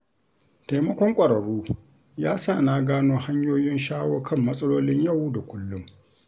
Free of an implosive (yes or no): yes